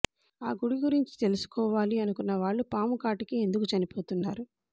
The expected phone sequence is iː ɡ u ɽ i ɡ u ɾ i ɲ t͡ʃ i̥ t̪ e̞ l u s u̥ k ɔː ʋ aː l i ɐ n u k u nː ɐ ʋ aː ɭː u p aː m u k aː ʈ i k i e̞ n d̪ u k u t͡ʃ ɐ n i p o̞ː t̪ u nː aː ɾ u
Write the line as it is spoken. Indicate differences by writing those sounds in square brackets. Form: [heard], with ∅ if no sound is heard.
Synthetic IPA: [aː] ɡ u ɽ i ɡ u ɾ i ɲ t͡ʃ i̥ t̪ e̞ l u s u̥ k ɔː ʋ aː l i ɐ n u k u nː ɐ ʋ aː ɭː u p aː m u k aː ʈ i k i e̞ n d̪ u k u t͡ʃ ɐ n i p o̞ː t̪ u nː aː ɾ u